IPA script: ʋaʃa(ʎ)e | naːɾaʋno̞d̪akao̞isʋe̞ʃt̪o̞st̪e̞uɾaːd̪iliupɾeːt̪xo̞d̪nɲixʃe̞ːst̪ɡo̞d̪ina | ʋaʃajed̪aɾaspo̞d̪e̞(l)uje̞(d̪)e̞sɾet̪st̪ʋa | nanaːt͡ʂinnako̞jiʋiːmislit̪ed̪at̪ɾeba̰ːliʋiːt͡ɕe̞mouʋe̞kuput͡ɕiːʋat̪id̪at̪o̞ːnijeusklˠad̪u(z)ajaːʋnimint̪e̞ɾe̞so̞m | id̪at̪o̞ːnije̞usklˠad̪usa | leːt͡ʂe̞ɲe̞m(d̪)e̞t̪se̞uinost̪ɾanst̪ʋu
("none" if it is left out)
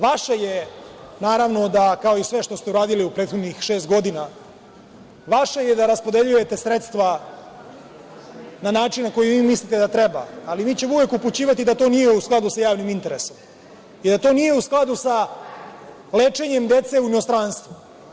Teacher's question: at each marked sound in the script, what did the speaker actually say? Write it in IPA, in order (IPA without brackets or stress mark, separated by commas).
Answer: j, ʎ, t̪, s, d̪